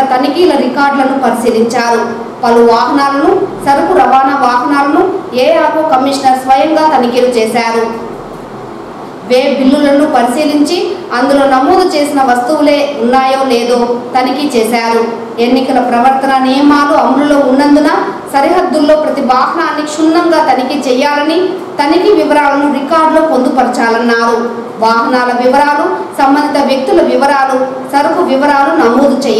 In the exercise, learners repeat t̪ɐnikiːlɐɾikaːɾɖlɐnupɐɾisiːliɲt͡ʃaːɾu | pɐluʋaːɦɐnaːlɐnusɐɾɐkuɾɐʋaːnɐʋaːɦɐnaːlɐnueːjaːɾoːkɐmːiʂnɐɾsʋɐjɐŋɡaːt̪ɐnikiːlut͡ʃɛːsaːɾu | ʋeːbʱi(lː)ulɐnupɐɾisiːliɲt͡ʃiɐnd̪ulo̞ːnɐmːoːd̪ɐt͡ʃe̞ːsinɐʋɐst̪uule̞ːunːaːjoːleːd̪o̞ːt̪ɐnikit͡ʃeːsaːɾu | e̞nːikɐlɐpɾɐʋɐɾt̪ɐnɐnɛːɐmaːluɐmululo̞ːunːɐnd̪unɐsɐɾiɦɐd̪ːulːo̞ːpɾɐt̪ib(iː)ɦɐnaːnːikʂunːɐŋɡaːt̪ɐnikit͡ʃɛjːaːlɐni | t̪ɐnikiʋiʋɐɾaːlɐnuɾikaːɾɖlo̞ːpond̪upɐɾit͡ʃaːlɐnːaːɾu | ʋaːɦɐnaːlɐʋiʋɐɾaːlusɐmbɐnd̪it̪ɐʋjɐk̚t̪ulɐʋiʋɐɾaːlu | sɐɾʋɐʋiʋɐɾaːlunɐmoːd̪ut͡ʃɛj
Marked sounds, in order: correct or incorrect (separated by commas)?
correct, incorrect